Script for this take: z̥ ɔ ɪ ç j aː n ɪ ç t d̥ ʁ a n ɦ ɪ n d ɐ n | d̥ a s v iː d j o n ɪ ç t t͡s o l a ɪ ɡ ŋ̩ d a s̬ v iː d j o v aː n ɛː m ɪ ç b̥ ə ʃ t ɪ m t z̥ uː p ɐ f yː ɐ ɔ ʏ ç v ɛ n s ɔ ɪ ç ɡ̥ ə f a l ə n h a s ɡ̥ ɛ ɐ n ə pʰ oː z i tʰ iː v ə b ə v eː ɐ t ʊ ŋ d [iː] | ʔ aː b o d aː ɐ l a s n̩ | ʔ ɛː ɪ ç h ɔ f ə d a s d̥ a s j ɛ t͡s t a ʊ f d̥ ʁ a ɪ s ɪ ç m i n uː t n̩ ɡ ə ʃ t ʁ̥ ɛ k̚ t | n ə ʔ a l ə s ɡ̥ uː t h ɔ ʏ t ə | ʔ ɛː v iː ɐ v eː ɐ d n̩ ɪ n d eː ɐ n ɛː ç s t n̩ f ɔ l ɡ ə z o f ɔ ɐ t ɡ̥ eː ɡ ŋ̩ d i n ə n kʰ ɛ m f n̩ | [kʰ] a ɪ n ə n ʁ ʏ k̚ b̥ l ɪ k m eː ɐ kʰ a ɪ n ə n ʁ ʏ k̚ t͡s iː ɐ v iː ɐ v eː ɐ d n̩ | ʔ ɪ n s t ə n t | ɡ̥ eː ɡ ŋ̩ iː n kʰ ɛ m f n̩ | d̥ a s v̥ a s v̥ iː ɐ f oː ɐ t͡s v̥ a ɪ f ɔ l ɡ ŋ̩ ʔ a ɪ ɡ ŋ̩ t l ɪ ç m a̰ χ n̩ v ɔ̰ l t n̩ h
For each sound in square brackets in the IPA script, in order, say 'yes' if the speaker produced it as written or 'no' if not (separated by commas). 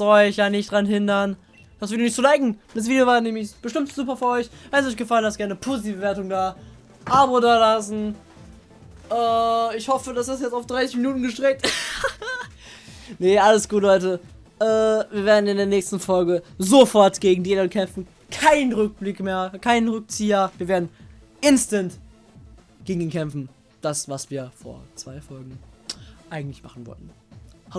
no, yes